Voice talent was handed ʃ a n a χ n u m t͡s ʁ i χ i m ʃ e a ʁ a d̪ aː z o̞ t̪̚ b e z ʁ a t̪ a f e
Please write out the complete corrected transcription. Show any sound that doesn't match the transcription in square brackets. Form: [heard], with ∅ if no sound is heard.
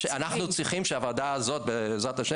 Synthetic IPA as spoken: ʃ a n a χ n u [∅] t͡s ʁ i χ i m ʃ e a [v] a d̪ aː z o̞ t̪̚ b e z ʁ a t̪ a [ʃ] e